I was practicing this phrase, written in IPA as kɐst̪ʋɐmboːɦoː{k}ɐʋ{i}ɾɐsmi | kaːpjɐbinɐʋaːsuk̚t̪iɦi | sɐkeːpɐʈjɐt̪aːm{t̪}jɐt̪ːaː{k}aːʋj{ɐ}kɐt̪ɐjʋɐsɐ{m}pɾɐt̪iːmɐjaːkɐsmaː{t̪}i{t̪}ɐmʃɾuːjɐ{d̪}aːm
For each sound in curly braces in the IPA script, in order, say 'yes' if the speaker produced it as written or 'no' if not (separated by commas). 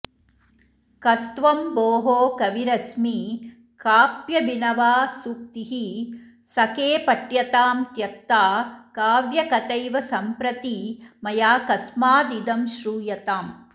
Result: yes, yes, yes, yes, yes, yes, no, no, no